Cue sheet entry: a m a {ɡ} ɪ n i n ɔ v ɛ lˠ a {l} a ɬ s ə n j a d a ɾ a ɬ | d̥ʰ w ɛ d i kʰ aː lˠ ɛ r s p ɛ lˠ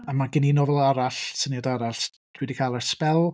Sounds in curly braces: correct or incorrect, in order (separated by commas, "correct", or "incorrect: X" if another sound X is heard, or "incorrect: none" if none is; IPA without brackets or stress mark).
correct, incorrect: ɾ